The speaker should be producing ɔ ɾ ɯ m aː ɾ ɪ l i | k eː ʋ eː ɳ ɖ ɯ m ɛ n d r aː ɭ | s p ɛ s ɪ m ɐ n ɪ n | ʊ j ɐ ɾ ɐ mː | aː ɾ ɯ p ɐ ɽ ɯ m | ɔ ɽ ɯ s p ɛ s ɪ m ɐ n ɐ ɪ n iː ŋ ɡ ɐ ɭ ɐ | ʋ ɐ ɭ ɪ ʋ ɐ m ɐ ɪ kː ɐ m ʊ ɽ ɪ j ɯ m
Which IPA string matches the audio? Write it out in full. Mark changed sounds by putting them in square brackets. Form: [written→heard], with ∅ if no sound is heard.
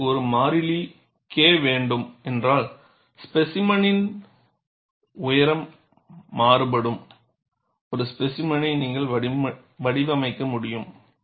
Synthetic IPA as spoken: ɔ ɾ ɯ m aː ɾ ɪ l i | k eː ʋ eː ɳ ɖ ɯ m ɛ n d r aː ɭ | s p ɛ s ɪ m ɐ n ɪ n | ʊ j ɐ ɾ ɐ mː | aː ɾ ɯ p ɐ ɽ ɯ m | ɔ [ɽ→ɾ] ɯ s p ɛ s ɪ m ɐ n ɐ ɪ n iː ŋ ɡ ɐ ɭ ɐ | ʋ ɐ [ɭ→ɽ] ɪ ʋ ɐ m ɐ ɪ kː ɐ m ʊ ɽ ɪ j ɯ m

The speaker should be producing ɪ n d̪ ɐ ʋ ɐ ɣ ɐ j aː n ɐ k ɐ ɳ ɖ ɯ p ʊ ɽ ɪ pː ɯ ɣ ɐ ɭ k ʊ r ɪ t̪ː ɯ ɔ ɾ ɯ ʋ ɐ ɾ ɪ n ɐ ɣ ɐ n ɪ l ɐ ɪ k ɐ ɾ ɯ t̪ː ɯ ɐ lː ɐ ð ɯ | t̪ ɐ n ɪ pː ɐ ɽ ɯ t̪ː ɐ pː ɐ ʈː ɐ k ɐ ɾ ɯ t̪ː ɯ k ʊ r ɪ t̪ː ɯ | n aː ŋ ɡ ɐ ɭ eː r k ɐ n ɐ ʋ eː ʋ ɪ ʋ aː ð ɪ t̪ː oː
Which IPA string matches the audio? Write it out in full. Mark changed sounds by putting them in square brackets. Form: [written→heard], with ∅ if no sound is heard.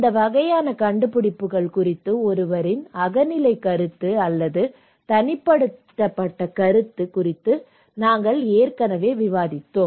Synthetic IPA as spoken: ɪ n d̪ ɐ ʋ ɐ ɣ ɐ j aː n ɐ k ɐ ɳ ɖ ɯ p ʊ ɽ ɪ pː ɯ ɣ ɐ ɭ k ʊ r ɪ t̪ː ɯ ɔ ɾ ɯ ʋ ɐ ɾ ɪ n ɐ ɣ ɐ n ɪ l ɐ ɪ k ɐ ɾ ɯ t̪ː ɯ ɐ lː ɐ ð ɯ | t̪ ɐ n ɪ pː ɐ ɽ ɯ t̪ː ɐ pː ɐ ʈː ɐ k ɐ ɾ ɯ t̪ː ɯ k ʊ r ɪ t̪ː ɯ | n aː ŋ ɡ ɐ ɭ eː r k ɐ n ɐ ʋ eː ʋ ɪ ʋ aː ð ɪ t̪ː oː

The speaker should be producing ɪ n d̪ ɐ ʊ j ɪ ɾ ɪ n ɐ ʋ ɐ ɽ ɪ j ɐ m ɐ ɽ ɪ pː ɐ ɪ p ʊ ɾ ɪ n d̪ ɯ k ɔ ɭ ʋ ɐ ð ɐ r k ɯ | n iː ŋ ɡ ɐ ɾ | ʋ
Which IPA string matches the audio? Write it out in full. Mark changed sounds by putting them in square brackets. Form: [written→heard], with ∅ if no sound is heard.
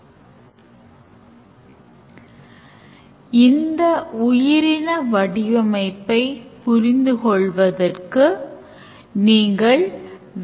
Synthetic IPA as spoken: ɪ n d̪ ɐ ʊ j ɪ ɾ ɪ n ɐ ʋ ɐ ɽ ɪ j ɐ m ɐ [ɽ→∅] ɪ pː ɐ ɪ p ʊ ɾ ɪ n d̪ ɯ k ɔ ɭ ʋ ɐ ð ɐ r k ɯ | n iː ŋ ɡ ɐ [ɾ→ɭ] | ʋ

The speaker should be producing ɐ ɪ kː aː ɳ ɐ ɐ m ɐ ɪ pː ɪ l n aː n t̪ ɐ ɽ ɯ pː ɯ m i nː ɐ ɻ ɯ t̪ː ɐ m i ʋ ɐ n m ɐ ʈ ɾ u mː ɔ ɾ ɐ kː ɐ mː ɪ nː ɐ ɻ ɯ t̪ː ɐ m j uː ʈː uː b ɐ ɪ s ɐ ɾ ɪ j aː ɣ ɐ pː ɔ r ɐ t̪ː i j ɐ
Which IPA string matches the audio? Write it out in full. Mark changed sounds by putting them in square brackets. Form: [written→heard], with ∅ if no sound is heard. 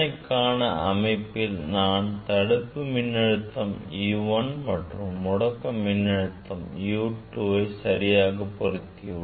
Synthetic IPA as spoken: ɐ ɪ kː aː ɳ ɐ ɐ m ɐ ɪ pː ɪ l n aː n t̪ ɐ ɽ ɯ pː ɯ m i nː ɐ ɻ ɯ t̪ː ɐ m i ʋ ɐ n m ɐ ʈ [ɾ→r] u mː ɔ [ɾ→ɽ] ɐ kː ɐ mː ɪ nː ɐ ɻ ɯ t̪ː ɐ m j uː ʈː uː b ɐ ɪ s ɐ ɾ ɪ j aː ɣ ɐ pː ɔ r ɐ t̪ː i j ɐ

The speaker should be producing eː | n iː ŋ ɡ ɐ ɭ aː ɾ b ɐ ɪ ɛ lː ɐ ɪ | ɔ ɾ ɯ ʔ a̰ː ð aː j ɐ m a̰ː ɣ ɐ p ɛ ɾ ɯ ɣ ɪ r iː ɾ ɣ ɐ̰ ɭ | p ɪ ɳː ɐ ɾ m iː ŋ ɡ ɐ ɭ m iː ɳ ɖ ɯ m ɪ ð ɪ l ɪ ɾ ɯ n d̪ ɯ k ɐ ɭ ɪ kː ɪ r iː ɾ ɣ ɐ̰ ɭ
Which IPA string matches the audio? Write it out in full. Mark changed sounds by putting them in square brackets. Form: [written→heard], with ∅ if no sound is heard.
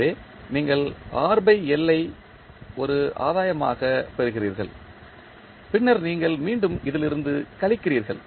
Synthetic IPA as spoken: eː | n iː ŋ ɡ ɐ ɭ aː ɾ b ɐ ɪ ɛ lː ɐ ɪ | ɔ ɾ ɯ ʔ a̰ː ð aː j ɐ m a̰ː ɣ ɐ p ɛ ɾ ɯ ɣ ɪ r iː ɾ ɣ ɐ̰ ɭ | p ɪ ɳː ɐ ɾ [m→n] iː ŋ ɡ ɐ ɭ m iː ɳ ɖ ɯ m ɪ ð ɪ l ɪ ɾ ɯ n d̪ ɯ k ɐ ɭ ɪ kː ɪ r iː ɾ ɣ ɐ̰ ɭ

